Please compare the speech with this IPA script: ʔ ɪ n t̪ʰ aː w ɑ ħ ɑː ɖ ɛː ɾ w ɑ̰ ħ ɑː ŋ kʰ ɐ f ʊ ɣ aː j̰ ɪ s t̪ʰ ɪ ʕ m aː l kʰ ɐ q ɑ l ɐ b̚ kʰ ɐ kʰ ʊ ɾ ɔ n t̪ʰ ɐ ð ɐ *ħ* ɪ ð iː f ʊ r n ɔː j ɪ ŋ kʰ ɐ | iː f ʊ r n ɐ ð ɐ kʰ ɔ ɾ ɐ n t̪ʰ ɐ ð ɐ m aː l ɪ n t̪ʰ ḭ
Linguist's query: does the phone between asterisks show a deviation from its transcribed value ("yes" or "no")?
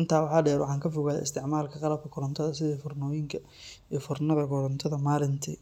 yes